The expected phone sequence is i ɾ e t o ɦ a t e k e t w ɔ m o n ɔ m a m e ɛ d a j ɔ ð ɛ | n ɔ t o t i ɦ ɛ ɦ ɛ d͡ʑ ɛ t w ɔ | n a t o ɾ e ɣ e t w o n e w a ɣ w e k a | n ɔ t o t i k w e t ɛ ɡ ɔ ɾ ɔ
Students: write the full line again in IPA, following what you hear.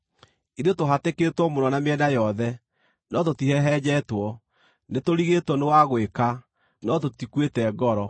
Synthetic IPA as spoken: i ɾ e t o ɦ a t e k e t w ɔ m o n ɔ n a m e ɛ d a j ɔ ð ɛ | n ɔ t o t i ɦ ɛ ɦ ɛ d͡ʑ ɛ t w ɔ | n e t o ɾ i ɣ e t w ɔ n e w a ɣ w e k a | n ɔ t o t i k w e t ɛ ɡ ɔ ɾ ɔ